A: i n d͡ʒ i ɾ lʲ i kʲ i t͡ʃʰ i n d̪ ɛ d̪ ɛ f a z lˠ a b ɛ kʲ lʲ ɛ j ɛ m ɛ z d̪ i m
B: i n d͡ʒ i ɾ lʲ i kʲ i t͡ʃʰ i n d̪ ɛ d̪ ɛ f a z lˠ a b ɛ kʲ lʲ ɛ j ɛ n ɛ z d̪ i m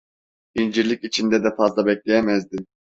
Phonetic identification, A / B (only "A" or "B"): A